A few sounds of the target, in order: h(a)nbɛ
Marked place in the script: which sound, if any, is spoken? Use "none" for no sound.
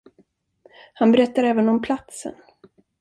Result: a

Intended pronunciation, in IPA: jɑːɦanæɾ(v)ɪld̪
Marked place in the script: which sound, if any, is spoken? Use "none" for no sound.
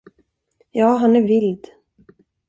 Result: v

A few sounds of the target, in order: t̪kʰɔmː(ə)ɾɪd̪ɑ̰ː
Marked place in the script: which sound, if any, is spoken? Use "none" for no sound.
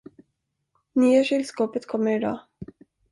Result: ə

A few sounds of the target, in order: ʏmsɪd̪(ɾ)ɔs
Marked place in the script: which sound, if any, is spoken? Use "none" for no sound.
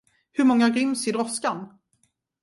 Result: ɾ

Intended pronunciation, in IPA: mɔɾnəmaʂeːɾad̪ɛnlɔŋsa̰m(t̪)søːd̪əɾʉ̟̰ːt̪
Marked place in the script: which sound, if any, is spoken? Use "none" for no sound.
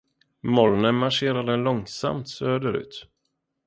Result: t̪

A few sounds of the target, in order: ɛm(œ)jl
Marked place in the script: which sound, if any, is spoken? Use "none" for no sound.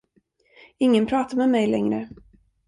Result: ɛ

